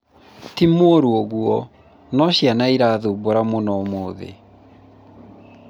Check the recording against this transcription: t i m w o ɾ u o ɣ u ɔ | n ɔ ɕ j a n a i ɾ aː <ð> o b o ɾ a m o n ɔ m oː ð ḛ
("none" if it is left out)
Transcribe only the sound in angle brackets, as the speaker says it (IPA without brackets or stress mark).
ð